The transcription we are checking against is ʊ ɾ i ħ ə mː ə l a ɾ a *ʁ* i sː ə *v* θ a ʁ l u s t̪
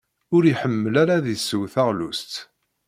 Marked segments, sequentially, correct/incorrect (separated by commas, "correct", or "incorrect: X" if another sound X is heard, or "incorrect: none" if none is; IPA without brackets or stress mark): incorrect: ð, incorrect: w